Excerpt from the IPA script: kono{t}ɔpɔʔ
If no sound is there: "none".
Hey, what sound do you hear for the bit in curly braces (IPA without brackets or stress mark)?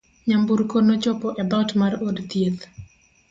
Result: t͡ʃ